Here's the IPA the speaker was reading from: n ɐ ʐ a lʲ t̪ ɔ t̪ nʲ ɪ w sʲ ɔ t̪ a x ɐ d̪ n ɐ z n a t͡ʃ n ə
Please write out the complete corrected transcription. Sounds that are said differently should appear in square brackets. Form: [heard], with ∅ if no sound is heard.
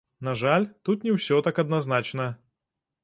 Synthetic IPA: n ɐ ʐ a lʲ t̪ [u] t̪ nʲ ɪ w sʲ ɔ t̪ a [k] ɐ d̪ n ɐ z n a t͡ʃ n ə